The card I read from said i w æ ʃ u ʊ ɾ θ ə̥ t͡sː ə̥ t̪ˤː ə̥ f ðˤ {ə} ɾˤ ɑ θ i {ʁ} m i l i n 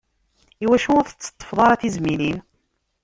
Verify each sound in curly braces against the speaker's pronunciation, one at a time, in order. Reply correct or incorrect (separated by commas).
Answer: incorrect, incorrect